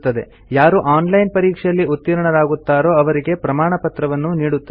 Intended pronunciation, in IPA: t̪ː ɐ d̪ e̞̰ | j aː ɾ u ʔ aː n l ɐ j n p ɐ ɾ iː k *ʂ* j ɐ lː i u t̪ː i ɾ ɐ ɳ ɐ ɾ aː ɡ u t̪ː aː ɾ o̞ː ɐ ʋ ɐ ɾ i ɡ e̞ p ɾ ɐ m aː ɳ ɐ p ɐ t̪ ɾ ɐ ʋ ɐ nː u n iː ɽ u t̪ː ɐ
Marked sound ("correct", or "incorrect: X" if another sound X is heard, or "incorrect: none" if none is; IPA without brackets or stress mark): correct